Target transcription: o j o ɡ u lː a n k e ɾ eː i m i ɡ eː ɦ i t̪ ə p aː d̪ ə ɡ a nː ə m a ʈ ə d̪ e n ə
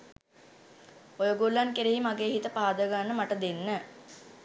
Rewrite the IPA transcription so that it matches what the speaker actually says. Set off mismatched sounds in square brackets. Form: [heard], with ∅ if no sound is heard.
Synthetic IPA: o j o ɡ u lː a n k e ɾ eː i m [a] ɡ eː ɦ i t̪ ə p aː d̪ ə ɡ a nː ə m a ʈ ə d̪ e [nː] ə